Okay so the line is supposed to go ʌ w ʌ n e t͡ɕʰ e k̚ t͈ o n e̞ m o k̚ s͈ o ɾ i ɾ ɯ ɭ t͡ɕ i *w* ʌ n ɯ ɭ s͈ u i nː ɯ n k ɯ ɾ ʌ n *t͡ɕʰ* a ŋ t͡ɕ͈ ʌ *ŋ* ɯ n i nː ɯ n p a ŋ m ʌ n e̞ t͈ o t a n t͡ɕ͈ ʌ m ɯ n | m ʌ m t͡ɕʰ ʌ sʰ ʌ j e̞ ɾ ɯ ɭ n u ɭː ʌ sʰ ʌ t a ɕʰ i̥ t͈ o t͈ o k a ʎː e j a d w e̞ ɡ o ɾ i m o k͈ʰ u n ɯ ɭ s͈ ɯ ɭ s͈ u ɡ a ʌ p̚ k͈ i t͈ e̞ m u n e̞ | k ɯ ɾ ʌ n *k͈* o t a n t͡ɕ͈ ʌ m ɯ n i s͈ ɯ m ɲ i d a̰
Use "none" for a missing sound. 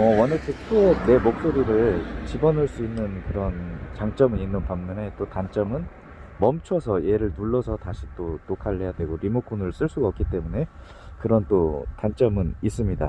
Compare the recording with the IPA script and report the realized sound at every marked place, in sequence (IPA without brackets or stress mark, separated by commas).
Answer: b, t͡ɕ, m, t͈